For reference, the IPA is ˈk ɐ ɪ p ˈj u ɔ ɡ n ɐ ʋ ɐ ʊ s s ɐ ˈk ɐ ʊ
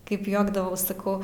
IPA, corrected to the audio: ˈk ɐ ɪ p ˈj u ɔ ɡ d ɐ ʋ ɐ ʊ s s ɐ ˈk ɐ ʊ